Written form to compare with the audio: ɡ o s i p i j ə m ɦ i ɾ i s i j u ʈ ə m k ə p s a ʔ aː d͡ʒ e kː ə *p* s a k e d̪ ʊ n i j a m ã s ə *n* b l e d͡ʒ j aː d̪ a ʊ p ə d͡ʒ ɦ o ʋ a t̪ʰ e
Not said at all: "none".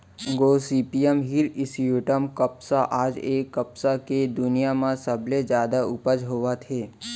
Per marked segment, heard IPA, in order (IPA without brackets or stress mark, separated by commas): p, none